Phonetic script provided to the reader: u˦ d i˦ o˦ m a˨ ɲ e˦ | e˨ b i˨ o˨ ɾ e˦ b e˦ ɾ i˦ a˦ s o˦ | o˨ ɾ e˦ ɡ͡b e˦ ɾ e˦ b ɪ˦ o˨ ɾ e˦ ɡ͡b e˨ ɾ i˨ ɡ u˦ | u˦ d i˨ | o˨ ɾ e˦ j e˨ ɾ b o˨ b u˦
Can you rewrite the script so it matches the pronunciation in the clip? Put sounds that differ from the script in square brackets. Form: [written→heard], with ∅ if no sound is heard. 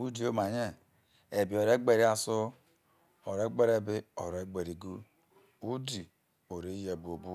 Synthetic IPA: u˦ d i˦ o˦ m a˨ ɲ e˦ | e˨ b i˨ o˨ ɾ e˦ [b→ɡ͡b] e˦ ɾ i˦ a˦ s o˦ | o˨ ɾ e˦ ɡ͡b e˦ ɾ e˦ b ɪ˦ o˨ ɾ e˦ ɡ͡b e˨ ɾ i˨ ɡ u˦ | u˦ d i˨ | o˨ ɾ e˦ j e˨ [ɾ→∅] b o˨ b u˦